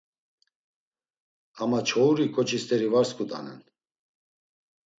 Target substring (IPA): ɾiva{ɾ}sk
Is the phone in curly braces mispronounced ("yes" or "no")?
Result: no